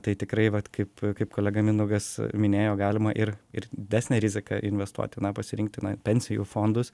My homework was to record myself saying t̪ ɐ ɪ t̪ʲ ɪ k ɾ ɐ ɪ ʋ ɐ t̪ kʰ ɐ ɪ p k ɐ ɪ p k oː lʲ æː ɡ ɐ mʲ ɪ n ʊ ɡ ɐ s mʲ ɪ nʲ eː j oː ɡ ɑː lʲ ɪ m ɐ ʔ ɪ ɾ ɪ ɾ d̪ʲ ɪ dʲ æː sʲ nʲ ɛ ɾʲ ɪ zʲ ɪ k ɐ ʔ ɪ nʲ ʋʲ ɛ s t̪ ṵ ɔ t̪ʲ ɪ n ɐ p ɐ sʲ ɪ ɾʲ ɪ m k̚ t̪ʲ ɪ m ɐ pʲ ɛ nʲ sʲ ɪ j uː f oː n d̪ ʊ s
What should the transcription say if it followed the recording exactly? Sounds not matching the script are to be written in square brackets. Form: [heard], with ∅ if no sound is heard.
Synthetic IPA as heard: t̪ ɐ ɪ t̪ʲ ɪ k ɾ ɐ ɪ ʋ ɐ t̪ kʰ ɐ ɪ p k ɐ ɪ p k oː lʲ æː ɡ ɐ mʲ ɪ n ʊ ɡ ɐ s mʲ ɪ nʲ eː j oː ɡ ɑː lʲ ɪ m ɐ ʔ ɪ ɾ ɪ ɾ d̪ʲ ɪ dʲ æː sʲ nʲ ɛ ɾʲ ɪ zʲ ɪ k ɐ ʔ ɪ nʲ ʋʲ ɛ s t̪ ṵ ɔ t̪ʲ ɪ n ɐ p ɐ sʲ ɪ ɾʲ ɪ [ŋ] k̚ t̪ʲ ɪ [n] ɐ pʲ ɛ nʲ sʲ ɪ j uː f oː n d̪ ʊ s